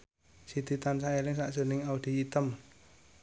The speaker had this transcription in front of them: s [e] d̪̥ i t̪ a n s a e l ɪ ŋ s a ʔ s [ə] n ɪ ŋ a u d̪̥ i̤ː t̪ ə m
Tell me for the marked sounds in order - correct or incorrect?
incorrect, correct

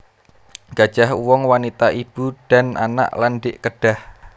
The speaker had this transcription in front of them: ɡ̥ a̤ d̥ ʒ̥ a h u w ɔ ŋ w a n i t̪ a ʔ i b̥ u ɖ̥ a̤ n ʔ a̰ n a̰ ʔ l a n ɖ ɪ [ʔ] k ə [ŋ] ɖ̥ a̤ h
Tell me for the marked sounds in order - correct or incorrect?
correct, incorrect

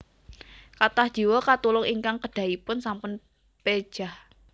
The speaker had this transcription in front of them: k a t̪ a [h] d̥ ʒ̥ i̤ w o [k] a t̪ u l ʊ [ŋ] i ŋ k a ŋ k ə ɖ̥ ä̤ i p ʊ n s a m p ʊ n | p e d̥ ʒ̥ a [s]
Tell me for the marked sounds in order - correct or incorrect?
correct, correct, correct, incorrect

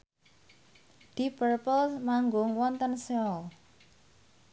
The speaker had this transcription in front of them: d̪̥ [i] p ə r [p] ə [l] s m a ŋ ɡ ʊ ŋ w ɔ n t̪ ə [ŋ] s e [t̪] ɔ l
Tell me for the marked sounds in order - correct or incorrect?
correct, correct, correct, incorrect, incorrect

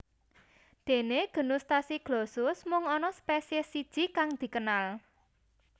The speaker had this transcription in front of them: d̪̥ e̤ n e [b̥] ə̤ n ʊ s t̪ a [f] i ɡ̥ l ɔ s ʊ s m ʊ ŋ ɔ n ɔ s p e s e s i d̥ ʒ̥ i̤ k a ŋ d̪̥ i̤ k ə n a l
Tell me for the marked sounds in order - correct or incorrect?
incorrect, incorrect

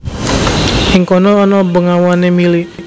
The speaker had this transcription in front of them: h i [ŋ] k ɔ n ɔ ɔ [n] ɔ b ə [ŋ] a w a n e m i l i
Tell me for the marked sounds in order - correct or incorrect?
correct, correct, correct

